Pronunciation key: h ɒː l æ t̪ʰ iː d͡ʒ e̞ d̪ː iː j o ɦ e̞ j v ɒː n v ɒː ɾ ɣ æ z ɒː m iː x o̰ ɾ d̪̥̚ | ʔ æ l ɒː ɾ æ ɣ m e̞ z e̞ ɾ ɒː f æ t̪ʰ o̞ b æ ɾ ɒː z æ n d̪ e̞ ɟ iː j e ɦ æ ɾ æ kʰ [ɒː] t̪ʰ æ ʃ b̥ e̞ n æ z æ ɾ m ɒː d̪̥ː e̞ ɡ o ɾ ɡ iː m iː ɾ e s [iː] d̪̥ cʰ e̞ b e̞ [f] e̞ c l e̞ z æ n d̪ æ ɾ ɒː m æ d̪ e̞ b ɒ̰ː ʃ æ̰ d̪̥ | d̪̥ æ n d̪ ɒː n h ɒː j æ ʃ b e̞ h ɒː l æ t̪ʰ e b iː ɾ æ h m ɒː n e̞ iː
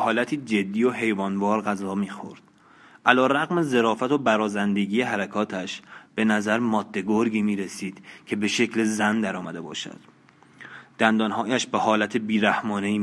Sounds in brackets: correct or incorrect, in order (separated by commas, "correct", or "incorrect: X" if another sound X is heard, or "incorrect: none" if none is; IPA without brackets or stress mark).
correct, correct, incorrect: ʃ